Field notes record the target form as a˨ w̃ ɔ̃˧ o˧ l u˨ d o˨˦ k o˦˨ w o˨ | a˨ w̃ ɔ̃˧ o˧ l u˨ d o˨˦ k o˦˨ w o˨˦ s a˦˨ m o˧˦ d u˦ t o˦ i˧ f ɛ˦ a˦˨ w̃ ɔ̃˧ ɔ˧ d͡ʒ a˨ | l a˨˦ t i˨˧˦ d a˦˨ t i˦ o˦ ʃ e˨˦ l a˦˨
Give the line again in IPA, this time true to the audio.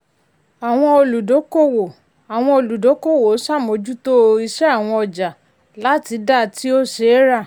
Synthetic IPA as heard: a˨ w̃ ɔ̃˧ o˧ l u˨ d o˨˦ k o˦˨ w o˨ | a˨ w̃ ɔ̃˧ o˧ l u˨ d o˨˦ k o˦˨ w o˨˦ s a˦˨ m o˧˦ d͡ʒ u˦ t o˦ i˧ ʃ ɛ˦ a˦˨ w̃ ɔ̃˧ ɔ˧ d͡ʒ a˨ | l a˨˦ t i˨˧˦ d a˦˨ t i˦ o˦ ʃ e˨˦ ɾ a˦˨

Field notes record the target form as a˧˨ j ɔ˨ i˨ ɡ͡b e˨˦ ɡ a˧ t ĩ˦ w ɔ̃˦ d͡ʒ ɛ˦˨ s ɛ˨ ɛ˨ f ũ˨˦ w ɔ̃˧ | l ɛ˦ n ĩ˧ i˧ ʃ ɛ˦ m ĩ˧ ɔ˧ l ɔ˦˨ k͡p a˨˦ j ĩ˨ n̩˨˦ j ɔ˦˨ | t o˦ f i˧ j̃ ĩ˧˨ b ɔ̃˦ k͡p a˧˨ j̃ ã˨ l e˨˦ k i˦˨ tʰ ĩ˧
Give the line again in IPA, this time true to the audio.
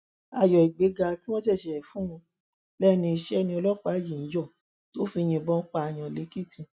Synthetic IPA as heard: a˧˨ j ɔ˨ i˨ ɡ͡b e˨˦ ɡ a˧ t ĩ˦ w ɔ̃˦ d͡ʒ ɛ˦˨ ʃ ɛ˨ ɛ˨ f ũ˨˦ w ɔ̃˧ | l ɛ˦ n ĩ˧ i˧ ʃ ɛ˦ n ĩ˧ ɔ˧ l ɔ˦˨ k͡p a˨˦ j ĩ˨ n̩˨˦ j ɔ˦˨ | t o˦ f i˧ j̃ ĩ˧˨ b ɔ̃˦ k͡p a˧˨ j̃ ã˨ l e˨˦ k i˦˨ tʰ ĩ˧

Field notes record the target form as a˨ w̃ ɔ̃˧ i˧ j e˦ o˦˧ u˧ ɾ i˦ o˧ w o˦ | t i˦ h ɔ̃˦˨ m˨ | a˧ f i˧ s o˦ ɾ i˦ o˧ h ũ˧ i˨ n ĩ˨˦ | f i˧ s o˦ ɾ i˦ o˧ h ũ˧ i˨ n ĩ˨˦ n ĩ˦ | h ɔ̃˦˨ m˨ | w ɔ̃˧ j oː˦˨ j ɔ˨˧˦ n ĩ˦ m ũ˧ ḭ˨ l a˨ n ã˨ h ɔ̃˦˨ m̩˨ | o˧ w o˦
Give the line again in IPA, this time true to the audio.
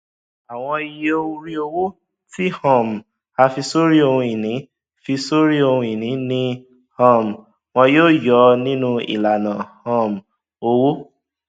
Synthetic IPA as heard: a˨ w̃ ɔ̃˧ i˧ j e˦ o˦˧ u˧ ɾ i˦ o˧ w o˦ | t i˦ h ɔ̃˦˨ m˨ | a˧ f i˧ s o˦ ɾ i˦ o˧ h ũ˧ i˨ n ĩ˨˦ | f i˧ s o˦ ɾ i˦ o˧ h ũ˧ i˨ n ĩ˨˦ n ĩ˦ | h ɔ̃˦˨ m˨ | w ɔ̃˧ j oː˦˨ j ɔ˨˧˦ n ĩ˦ n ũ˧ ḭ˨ l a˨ n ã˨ h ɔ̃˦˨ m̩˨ | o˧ w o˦

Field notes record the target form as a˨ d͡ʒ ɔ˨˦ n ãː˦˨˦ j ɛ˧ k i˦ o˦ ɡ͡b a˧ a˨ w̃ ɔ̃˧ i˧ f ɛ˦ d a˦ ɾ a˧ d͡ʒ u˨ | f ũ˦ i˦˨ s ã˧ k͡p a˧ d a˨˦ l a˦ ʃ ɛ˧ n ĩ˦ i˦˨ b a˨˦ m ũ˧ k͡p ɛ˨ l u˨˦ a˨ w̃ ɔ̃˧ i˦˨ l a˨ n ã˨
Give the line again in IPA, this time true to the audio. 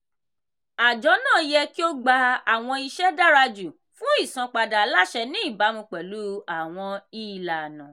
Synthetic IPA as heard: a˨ d͡ʒ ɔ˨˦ n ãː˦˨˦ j ɛ˧ k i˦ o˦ ɡ͡b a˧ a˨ w̃ ɔ̃˧ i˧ ʃ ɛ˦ d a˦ ɾ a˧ d͡ʒ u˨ | f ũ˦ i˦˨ s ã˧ k͡p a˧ d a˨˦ l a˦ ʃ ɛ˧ n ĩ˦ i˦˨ b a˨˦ m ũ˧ k͡p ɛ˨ l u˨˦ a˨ w̃ ɔ̃˧ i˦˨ l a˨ n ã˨

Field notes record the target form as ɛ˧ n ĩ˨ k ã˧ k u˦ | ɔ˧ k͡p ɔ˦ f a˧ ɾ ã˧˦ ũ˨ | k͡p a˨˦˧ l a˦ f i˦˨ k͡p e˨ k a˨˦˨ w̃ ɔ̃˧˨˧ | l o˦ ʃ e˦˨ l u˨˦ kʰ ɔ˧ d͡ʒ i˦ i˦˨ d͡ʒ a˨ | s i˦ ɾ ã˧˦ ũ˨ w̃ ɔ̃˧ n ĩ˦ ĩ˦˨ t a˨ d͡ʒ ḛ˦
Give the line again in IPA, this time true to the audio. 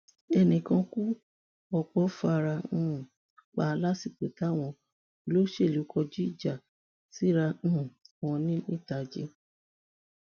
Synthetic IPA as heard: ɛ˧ n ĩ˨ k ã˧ k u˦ | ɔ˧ k͡p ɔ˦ f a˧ ɾ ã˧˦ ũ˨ | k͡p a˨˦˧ l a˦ s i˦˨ k͡p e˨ t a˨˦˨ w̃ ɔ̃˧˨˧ | l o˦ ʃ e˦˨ l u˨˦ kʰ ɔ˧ d͡ʒ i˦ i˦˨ d͡ʒ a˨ | s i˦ ɾ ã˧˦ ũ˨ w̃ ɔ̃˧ n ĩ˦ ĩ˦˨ t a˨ d͡ʒ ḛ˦

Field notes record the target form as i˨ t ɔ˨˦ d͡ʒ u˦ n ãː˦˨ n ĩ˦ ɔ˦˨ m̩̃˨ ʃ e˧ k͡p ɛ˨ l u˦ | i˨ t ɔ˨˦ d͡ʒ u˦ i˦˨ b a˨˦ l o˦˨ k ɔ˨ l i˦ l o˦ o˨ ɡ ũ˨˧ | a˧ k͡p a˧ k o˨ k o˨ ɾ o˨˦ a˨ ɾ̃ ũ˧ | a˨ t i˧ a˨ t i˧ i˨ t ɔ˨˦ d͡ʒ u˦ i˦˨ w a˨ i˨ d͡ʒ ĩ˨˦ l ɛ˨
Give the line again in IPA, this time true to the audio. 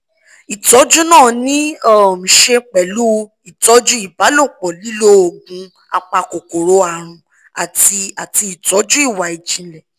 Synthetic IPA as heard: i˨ t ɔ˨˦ d͡ʒ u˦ n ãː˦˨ n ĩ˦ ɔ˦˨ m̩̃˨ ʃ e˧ k͡p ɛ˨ l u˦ | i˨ t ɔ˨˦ d͡ʒ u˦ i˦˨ b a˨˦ l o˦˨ k͡p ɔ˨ l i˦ l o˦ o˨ ɡ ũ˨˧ | a˧ k͡p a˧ k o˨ k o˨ ɾ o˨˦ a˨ ɾ̃ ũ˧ | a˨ t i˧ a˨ t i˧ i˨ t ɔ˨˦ d͡ʒ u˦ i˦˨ w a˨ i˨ d͡ʒ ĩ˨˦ l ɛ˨

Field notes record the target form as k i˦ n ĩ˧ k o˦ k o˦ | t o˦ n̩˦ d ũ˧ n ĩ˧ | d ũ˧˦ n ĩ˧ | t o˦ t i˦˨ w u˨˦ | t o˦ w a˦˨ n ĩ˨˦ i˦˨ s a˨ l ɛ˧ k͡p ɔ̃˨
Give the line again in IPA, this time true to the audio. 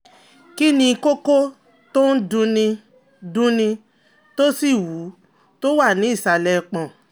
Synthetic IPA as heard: k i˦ n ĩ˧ k o˦ k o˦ | t o˦ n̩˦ d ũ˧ n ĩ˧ | d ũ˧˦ n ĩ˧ | t o˦ s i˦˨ w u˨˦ | t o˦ w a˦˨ n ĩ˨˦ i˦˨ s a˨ l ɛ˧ k͡p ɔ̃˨

